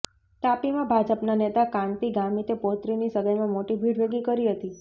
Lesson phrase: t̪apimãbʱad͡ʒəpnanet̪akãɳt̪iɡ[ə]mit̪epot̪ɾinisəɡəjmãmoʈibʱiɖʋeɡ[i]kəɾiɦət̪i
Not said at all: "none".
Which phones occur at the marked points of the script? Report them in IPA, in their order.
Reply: a, i

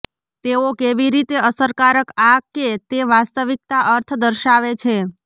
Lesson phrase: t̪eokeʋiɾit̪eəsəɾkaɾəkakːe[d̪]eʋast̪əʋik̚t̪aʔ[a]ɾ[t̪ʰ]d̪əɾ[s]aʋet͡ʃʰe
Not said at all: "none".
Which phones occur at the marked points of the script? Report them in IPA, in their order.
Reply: t̪, ə, t̪ʰ, ʃ

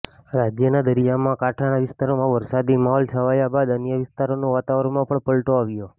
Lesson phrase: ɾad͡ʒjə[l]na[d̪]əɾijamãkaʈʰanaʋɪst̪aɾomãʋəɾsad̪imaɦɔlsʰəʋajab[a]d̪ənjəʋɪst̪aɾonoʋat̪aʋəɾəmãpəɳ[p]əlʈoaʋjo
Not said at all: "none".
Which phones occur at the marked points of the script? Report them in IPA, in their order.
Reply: none, d̪, a, p

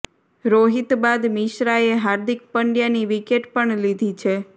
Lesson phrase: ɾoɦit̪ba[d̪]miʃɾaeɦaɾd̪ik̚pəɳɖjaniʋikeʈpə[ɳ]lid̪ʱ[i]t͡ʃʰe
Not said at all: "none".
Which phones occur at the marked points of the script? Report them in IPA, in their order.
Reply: d̪, ɳ, i

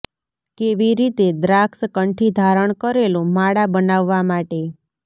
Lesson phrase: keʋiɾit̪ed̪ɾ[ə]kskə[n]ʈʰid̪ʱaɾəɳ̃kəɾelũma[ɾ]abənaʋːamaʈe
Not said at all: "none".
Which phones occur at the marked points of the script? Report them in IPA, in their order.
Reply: a, ɳ, ɽ

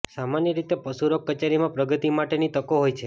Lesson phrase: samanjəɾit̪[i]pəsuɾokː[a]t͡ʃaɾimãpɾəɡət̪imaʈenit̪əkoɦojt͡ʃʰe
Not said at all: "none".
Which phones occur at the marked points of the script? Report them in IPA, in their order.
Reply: e, ə

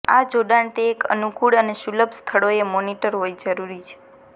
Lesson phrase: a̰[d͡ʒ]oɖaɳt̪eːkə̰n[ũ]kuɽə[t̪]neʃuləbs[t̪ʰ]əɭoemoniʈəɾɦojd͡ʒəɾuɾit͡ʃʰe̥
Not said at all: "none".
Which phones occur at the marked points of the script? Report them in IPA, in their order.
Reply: d͡ʒ, u, none, t̪ʰ

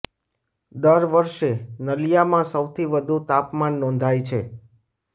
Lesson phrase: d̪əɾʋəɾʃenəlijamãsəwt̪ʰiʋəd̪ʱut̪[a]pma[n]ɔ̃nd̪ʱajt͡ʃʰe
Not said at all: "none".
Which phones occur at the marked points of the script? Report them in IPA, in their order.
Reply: a, nː

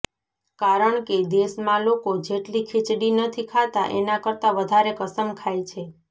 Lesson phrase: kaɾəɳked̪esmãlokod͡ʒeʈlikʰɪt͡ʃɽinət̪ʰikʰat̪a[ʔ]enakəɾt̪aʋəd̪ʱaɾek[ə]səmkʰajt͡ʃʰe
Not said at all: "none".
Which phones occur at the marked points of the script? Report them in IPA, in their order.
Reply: ʔ, ə

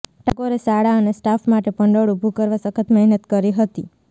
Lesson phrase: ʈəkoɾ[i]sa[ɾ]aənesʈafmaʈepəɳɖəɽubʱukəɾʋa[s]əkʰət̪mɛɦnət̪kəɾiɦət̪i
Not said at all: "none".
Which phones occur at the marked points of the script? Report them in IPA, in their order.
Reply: e, ɽ, s

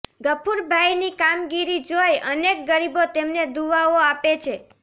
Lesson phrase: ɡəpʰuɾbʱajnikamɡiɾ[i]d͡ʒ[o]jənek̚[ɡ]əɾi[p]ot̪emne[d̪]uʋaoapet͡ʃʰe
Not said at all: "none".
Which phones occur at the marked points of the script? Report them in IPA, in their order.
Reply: i, o, ɡ, b, d̪

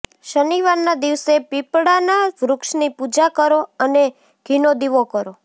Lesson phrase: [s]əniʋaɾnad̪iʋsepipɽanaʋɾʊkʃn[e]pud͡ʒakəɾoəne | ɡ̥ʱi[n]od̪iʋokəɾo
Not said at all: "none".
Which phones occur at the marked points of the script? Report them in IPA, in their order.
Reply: ʃ, i, n

